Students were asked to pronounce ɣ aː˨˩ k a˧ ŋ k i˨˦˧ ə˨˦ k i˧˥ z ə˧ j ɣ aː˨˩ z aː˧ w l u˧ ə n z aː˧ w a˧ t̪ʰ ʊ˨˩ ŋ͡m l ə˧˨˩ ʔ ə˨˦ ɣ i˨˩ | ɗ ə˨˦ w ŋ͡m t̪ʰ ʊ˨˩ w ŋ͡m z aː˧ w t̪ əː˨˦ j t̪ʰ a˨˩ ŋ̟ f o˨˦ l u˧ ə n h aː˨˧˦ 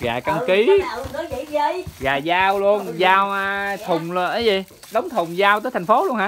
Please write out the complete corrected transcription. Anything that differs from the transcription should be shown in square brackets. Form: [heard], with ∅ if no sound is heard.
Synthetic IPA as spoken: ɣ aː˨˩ k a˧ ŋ k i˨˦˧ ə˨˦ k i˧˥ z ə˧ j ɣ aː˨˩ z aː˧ w l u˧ ə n z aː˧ w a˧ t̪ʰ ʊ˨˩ ŋ͡m l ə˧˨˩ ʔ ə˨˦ [z] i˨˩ | ɗ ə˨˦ w ŋ͡m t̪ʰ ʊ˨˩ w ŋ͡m z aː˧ w t̪ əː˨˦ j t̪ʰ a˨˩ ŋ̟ f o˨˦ l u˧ ə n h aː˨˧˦